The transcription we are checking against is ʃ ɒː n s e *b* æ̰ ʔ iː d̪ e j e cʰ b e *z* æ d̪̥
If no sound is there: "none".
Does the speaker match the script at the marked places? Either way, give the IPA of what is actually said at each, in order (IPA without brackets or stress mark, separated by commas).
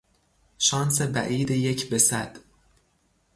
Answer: b, s